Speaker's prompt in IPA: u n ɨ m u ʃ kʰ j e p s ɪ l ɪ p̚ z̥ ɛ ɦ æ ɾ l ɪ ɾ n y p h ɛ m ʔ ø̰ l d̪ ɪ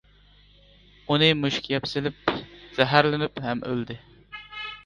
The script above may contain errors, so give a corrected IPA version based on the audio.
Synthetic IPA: u n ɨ m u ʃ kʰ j ɛ p s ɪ l ɪ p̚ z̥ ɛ ɦ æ ɾ l ɪ n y p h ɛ m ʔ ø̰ l d̪ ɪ